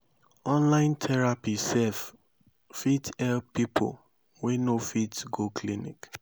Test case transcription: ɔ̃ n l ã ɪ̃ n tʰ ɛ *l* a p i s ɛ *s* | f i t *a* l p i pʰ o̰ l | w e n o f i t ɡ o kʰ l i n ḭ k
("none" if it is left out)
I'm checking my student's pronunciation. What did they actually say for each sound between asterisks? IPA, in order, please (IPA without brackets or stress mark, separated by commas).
ɹ, f, ɛ